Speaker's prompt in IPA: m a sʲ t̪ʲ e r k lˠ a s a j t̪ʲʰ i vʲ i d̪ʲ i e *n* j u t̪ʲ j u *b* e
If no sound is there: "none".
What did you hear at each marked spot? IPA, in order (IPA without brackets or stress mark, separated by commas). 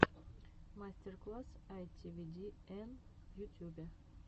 n, b